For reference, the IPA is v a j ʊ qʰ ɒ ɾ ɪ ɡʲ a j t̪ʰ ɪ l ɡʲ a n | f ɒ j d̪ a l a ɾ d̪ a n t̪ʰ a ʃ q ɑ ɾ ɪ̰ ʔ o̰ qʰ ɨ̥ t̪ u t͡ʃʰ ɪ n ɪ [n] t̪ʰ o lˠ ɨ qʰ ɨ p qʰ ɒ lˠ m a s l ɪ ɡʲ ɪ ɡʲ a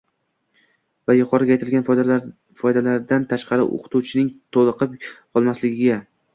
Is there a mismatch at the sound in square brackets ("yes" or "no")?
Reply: yes